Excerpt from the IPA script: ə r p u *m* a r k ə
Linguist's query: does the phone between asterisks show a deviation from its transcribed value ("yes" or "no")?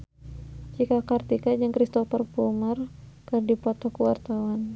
no